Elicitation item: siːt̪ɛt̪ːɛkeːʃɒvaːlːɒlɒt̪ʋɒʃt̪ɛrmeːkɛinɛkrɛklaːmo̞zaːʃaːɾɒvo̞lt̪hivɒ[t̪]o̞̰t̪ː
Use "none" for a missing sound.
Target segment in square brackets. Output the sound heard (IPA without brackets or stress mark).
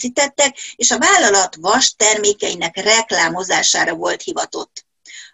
t̪